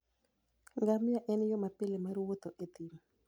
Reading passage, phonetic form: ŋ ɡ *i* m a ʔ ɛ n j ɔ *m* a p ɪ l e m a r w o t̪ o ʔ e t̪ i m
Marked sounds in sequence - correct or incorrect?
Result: incorrect, correct

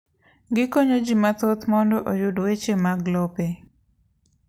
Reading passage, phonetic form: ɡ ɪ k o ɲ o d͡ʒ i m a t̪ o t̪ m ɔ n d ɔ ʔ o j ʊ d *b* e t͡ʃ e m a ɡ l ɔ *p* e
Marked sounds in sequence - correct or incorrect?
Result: incorrect, correct

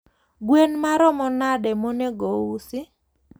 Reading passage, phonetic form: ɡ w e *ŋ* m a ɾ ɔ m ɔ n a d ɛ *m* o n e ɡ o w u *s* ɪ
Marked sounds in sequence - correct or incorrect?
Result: incorrect, correct, correct

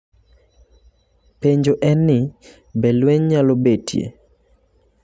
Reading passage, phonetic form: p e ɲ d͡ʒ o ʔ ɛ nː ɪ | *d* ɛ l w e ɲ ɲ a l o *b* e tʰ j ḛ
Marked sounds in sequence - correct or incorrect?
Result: incorrect, correct

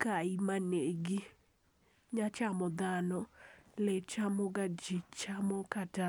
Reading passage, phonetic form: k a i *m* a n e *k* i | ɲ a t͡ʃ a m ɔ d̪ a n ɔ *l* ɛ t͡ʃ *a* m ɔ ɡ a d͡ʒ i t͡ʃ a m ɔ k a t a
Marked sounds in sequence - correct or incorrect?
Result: correct, incorrect, correct, correct

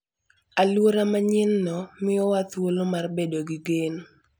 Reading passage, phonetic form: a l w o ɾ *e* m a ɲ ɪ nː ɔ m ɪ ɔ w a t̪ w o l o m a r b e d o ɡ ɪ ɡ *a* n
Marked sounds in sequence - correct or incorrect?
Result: incorrect, incorrect

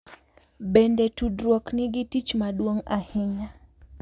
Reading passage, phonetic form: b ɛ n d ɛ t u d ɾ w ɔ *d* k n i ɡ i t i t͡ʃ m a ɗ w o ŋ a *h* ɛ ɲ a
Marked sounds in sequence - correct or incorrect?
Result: incorrect, correct

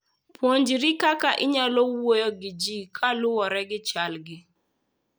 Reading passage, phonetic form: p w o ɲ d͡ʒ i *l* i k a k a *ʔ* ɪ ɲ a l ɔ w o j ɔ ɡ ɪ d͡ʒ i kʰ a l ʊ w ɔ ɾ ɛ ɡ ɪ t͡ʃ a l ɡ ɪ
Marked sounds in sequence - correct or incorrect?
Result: incorrect, correct

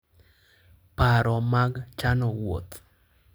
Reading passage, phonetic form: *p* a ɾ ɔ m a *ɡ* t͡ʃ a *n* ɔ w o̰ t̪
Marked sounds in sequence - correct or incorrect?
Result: correct, correct, correct

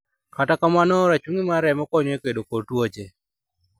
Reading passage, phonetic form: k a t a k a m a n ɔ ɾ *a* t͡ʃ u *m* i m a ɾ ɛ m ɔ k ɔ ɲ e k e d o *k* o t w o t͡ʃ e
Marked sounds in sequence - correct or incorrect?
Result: correct, incorrect, correct

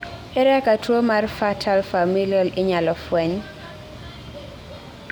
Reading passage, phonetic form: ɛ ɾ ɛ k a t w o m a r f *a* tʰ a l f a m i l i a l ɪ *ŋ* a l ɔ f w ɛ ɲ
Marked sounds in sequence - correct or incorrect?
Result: correct, incorrect

